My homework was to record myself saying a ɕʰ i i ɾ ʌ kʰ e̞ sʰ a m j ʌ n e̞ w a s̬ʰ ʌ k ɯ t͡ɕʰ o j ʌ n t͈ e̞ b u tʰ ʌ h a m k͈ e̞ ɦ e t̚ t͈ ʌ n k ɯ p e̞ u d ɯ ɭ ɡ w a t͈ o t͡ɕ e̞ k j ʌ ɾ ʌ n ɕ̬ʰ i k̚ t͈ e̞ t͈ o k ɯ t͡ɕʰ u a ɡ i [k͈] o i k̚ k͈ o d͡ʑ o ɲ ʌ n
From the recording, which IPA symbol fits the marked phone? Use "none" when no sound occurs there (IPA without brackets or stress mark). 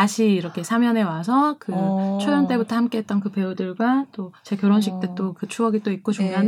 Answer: t͈